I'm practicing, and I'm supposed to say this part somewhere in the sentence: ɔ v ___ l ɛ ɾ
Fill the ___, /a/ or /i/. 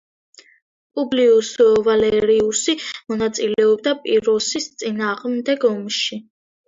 a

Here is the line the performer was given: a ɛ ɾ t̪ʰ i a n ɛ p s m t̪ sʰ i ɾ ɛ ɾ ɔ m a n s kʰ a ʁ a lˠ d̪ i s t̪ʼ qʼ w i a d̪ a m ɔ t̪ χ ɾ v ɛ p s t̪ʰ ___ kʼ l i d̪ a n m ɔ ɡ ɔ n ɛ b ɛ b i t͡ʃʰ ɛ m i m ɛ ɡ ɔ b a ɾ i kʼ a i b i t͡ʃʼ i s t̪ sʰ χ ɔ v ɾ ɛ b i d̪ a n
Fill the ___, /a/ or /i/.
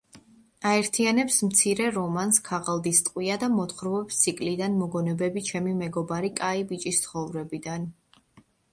i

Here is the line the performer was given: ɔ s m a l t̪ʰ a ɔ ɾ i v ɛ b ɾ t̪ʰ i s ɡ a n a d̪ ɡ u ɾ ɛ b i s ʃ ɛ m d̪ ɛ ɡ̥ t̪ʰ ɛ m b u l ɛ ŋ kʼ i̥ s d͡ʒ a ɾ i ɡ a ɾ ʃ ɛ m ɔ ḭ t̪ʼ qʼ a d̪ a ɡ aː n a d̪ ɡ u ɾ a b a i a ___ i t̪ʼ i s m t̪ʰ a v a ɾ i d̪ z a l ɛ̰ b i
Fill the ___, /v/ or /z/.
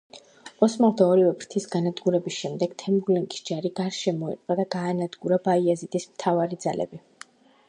z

